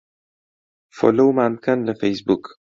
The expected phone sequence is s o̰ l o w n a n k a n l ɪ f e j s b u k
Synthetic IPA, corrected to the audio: f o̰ l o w m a n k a n l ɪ f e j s b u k